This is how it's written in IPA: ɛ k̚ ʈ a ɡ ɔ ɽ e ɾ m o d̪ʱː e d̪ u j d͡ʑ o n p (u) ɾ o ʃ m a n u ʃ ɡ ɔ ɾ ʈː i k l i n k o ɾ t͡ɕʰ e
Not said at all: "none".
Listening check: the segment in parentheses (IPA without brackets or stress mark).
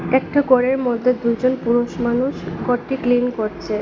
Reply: u